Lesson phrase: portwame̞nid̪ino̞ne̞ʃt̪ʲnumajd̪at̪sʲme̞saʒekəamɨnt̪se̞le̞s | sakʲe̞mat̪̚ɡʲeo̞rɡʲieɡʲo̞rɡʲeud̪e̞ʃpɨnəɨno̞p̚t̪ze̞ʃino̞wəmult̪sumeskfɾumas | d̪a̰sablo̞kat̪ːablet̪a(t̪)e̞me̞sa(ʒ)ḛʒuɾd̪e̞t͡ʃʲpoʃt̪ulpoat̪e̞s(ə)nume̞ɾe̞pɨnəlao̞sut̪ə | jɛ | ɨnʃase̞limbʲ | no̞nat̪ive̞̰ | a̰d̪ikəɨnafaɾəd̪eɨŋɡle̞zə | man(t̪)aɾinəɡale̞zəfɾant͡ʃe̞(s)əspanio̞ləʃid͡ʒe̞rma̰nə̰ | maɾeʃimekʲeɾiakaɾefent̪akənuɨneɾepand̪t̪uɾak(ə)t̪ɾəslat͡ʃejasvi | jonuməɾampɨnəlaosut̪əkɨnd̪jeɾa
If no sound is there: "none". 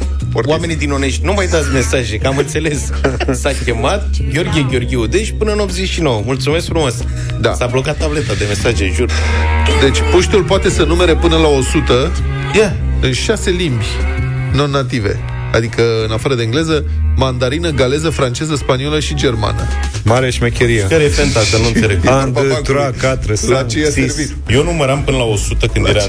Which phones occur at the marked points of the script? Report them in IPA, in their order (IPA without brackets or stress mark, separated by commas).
d̪, ʒ, ə, d̪, z, a